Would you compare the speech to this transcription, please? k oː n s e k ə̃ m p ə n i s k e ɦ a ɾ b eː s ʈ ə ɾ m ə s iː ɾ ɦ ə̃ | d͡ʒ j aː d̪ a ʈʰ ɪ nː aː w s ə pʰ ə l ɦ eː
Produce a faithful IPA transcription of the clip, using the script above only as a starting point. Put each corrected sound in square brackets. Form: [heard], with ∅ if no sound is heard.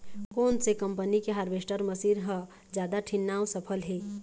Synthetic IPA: k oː n s e k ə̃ m p ə n i [∅] k e ɦ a ɾ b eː s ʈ ə ɾ m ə s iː ɾ ɦ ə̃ | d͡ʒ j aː d̪ a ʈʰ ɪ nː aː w s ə pʰ ə l ɦ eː

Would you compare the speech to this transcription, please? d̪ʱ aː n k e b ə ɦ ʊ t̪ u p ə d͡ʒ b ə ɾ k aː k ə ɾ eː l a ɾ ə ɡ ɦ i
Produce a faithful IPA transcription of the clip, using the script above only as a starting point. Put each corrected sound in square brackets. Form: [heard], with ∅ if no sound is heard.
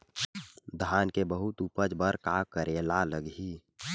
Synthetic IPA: d̪ʱ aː n k e b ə ɦ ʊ t̪ u p ə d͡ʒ b ə ɾ k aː k ə ɾ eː l a [l] ə ɡ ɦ i

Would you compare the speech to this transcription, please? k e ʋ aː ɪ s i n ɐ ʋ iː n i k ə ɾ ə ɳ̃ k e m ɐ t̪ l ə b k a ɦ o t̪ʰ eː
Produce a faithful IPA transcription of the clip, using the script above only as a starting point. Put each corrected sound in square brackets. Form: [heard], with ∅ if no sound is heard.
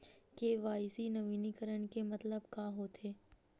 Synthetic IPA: k e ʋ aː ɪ s i n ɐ ʋ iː n i k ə ɾ ə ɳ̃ k e m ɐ t̪ l ə b k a ɦ o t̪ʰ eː

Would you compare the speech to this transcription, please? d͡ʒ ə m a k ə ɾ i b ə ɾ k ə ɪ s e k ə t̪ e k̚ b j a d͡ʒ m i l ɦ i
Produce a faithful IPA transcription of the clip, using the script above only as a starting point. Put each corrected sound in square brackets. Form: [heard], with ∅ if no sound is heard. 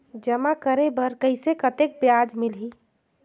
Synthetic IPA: d͡ʒ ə m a k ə ɾ [e] b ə ɾ k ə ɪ s e k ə t̪ e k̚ b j a d͡ʒ m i l ɦ i

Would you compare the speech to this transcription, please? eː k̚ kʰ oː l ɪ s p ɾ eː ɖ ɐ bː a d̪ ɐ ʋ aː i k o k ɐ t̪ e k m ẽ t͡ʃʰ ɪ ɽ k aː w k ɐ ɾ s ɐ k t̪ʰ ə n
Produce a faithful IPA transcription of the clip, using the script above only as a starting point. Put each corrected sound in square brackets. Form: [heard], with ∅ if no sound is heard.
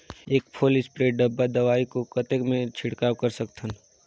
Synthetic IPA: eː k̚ [pʰ] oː l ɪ s p ɾ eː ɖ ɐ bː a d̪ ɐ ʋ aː i k o k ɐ t̪ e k m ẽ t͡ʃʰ ɪ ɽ k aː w k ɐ ɾ s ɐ k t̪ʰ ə n

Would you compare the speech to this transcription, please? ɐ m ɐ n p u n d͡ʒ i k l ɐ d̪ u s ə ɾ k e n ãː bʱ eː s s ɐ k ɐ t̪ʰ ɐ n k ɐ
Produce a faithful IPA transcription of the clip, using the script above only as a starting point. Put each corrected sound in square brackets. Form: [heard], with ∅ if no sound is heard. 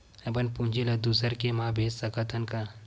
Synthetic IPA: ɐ [b] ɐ n p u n d͡ʒ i [∅] l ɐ d̪ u s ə ɾ k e [m] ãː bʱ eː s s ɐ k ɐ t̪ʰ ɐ n k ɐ

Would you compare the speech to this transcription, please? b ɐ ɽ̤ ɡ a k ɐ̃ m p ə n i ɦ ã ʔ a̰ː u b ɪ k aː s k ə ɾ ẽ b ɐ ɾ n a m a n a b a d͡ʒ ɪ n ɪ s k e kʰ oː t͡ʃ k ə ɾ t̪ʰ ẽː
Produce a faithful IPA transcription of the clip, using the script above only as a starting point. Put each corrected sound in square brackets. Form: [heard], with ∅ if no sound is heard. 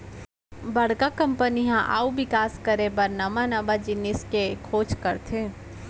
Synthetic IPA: b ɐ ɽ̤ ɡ a k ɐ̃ m p ə n i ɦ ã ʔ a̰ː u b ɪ k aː s k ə ɾ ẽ b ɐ ɾ n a m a n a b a d͡ʒ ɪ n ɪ s k e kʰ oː t͡ʃ k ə ɾ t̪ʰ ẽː

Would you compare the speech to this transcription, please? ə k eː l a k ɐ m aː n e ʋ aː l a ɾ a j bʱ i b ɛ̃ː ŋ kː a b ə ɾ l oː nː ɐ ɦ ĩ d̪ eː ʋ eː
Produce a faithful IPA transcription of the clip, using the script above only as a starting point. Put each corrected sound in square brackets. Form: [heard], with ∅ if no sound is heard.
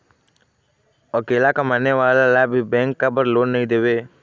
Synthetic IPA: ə k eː l a k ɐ m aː n e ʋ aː l a [l] a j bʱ i b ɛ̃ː ŋ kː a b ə ɾ l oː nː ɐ ɦ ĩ d̪ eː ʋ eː

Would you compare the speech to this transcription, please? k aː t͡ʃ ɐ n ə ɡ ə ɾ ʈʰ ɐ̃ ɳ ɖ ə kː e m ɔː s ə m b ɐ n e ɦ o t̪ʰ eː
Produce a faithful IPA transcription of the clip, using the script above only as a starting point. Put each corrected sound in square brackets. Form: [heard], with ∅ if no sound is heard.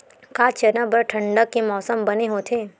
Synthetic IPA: k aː t͡ʃ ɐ n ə [b] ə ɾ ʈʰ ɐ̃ ɳ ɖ ə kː e m ɔː s ə m b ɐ n e ɦ o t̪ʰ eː

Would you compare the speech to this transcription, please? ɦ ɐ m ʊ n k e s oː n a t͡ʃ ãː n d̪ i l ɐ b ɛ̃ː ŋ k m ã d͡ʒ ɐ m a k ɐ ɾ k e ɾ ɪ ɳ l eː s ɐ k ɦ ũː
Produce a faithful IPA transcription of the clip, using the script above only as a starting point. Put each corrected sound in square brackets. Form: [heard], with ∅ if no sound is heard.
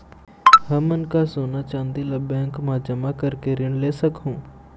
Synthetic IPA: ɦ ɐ m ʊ n k [a] s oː n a t͡ʃ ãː n d̪ i l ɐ b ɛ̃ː ŋ k m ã d͡ʒ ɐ m a k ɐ ɾ k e ɾ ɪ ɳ l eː s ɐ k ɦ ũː

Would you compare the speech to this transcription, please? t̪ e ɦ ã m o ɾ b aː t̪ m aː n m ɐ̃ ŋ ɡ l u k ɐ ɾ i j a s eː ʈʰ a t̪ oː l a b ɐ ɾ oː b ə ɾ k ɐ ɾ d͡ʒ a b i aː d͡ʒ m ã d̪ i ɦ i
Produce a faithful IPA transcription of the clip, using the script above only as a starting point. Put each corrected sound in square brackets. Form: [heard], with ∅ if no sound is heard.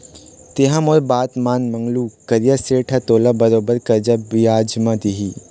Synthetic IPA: t̪ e ɦ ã m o ɾ b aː t̪ m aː n m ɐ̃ ŋ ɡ l u k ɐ ɾ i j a s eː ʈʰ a t̪ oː l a b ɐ ɾ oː b ə ɾ k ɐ ɾ d͡ʒ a b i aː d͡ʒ m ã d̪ i ɦ i

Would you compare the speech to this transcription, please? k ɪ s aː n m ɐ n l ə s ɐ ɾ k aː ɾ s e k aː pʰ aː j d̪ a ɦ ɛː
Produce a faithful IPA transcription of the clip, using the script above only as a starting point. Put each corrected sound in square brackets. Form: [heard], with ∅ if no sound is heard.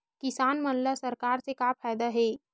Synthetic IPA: k ɪ s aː n m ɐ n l [a] s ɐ ɾ k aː ɾ s e k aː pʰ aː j d̪ a ɦ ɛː

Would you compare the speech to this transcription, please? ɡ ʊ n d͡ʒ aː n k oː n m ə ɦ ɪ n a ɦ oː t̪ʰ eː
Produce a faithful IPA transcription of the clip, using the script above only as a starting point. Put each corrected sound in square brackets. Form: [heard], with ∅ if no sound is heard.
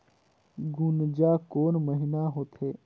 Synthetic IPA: ɡ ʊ n d͡ʒ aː [∅] k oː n m ə ɦ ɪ n a ɦ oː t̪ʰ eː

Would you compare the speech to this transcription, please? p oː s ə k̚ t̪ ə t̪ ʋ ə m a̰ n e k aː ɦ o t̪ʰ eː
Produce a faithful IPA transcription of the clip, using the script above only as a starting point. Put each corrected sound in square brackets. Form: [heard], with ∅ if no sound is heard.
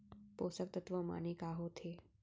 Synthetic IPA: p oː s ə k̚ t̪ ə t̪ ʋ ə m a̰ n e k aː ɦ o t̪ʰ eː

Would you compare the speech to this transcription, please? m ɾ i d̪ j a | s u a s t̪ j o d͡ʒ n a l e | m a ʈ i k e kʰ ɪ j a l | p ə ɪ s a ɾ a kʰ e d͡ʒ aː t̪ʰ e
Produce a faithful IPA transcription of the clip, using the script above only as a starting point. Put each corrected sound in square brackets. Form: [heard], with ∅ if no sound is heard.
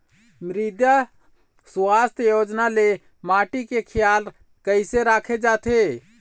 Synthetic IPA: m ɾ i d̪ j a | s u a s t̪ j o d͡ʒ n a l e | m a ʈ i k e kʰ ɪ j a l | [k] ə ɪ s [e] ɾ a kʰ e d͡ʒ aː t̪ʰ e

